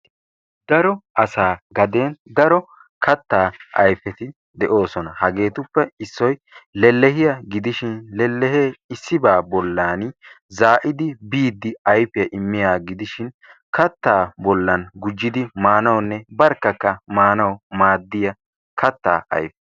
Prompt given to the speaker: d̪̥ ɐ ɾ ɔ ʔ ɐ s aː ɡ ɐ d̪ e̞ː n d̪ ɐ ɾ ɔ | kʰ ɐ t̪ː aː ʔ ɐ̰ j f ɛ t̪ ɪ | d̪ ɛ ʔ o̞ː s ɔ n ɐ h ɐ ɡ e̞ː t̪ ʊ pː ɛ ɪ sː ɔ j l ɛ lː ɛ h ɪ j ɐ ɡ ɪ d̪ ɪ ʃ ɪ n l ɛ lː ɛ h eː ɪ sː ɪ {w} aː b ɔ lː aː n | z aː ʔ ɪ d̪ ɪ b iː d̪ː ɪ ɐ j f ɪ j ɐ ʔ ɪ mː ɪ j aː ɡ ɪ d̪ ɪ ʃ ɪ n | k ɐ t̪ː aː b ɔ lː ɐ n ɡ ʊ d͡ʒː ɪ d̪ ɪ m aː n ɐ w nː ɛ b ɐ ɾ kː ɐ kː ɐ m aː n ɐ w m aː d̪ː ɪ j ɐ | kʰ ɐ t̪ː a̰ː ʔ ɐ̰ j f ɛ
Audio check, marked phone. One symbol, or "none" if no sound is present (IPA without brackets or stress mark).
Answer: b